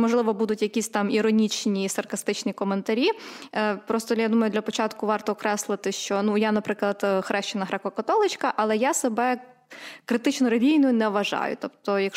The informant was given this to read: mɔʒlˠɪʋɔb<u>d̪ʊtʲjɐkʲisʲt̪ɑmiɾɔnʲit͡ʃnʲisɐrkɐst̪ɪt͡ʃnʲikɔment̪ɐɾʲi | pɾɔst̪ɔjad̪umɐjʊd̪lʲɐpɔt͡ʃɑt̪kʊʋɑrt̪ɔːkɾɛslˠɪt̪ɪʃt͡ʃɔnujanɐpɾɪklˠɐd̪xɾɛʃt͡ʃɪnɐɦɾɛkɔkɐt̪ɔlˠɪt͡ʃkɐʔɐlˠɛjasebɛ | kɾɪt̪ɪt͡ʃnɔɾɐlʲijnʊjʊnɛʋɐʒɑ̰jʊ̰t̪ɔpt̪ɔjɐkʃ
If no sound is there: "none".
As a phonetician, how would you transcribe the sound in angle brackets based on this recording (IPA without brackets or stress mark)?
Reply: u